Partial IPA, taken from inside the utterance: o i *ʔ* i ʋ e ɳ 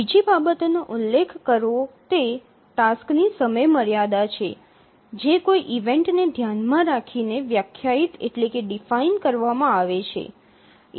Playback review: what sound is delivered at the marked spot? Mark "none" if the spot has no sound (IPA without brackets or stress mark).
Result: ʔ